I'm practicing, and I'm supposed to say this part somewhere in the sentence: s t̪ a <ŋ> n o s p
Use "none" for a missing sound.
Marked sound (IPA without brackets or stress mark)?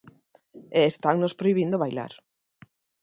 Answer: ŋ